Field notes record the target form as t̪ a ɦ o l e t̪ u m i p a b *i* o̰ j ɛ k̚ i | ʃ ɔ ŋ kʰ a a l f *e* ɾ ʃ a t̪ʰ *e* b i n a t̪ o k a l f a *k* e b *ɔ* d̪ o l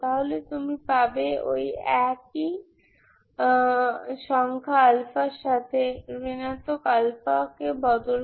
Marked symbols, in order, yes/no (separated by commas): no, no, yes, yes, yes